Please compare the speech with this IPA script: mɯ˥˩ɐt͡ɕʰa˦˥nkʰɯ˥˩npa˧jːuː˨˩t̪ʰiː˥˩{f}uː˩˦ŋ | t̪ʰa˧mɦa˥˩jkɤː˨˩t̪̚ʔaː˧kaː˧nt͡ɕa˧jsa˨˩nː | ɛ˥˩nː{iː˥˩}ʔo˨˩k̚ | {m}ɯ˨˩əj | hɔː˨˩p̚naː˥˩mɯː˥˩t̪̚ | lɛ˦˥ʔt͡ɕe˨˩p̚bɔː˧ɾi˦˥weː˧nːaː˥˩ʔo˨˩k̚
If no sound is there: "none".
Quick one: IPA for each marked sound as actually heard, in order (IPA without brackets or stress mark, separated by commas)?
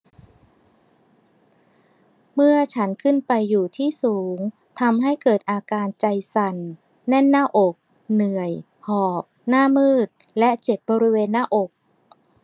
s, aː˥˩, n